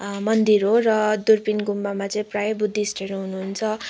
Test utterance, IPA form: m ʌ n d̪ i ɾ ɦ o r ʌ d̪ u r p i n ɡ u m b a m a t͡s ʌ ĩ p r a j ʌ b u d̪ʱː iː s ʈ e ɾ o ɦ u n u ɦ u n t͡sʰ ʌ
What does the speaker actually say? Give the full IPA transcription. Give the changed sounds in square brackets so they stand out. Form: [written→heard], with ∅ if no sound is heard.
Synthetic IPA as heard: m ʌ n d̪ i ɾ ɦ o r ʌ d̪ u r p i n ɡ u m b a m a t͡s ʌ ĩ p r a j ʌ b u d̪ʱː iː s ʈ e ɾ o ɦ u n u ɦ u n t͡sʰ ʌ